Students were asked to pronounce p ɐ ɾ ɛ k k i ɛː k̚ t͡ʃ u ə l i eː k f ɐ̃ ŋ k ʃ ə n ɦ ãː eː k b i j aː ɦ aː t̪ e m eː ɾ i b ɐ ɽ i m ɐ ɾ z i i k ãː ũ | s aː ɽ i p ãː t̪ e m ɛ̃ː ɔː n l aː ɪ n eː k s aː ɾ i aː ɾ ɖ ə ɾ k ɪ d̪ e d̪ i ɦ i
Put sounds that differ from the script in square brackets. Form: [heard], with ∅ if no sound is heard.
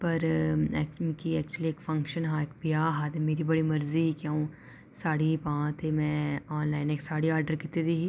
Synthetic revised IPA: p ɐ ɾ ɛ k k i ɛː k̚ t͡ʃ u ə l i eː k f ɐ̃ ŋ k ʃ ə n ɦ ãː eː k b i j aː ɦ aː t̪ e m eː ɾ i b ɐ ɽ i m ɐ ɾ z i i k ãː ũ | s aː ɽ i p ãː t̪ e m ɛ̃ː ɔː n l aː ɪ n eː k s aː [ɽ] i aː ɾ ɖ ə ɾ k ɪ [t̪] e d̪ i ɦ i